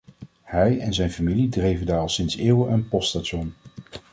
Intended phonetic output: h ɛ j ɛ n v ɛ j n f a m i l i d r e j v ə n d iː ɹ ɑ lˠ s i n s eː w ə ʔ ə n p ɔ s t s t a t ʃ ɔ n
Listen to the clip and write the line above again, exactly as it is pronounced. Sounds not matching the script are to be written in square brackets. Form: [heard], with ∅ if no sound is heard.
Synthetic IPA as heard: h ɛ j ɛ n [z] ɛ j n f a m i l i d r e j v ə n d [aː] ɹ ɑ lˠ s [ɪ] n s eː w ə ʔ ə n p ɔ s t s t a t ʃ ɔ n